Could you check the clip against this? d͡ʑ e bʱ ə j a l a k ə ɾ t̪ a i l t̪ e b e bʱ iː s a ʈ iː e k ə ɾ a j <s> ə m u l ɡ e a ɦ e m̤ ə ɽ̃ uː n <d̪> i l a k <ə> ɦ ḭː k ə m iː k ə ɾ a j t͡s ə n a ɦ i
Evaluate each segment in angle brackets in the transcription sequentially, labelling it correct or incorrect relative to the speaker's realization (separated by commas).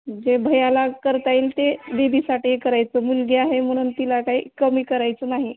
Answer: incorrect, incorrect, incorrect